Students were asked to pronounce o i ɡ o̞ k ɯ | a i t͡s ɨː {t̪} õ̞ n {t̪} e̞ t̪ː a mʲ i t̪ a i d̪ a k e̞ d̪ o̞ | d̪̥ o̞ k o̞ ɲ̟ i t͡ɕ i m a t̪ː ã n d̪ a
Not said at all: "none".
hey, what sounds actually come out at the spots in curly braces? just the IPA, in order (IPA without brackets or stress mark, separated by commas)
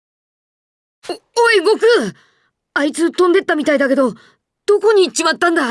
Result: t̪, d̪